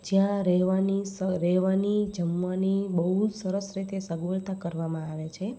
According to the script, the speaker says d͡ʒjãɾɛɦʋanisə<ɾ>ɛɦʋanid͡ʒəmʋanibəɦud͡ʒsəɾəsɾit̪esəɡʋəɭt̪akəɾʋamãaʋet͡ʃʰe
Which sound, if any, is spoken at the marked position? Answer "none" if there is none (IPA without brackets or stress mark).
ɾ